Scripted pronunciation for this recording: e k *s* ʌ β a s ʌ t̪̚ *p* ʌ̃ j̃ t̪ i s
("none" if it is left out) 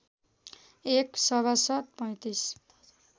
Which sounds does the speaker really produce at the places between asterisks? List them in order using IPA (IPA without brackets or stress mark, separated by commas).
s, p